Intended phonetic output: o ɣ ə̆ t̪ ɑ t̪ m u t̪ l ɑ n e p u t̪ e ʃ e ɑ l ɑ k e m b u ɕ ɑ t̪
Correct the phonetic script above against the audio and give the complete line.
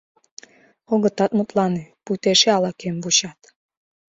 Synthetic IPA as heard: o ɣ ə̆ t̪ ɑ t̪ m u t̪ l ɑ n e p u t̪ e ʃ e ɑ l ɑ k e m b u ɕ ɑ t̪